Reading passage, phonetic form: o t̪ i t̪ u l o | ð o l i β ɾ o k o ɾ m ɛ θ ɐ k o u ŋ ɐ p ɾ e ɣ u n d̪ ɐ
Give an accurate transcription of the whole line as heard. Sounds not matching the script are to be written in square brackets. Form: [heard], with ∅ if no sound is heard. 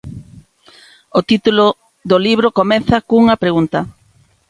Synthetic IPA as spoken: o t̪ i t̪ u l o | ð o l i β ɾ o k o [∅] m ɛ θ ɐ k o u ŋ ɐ p ɾ e ɣ u n [t̪] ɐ